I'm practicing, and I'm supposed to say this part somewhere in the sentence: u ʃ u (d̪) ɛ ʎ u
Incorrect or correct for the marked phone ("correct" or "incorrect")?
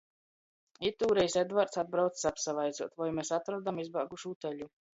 incorrect